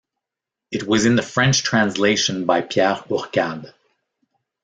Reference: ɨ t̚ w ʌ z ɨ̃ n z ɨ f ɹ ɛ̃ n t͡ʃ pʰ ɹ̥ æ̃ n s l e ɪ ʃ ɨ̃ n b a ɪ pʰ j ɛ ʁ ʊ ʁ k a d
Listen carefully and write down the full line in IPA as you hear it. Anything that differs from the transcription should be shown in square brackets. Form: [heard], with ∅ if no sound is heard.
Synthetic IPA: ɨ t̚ w ʌ z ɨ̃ n [ð] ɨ f ɹ ɛ̃ n t͡ʃ [tʰ] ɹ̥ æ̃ n s l e ɪ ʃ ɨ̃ n b a ɪ pʰ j ɛ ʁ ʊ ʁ k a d